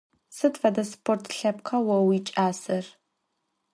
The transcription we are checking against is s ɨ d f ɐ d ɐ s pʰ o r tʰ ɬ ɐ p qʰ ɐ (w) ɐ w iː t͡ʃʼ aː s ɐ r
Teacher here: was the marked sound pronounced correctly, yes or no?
yes